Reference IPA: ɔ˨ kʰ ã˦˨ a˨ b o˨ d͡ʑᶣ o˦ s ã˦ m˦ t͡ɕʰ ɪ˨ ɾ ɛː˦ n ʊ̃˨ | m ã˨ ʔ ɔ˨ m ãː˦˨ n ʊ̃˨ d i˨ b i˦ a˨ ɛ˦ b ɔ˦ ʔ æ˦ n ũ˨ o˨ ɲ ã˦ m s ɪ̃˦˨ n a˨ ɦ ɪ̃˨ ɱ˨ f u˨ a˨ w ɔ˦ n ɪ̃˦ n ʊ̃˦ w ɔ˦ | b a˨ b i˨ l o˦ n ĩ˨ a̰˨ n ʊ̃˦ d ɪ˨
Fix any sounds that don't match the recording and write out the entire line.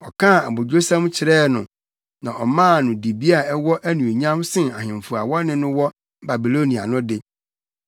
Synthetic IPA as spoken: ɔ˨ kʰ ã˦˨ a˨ b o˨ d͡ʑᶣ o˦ s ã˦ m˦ t͡ɕʰ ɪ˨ ɾ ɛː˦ n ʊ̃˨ | n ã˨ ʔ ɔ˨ m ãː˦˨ n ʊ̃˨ d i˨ b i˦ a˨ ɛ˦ w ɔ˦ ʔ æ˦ n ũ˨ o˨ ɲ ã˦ m s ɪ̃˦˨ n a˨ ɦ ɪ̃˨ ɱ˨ f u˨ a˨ w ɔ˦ n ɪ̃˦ n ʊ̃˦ w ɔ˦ | b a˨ b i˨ l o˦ n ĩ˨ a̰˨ n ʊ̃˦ d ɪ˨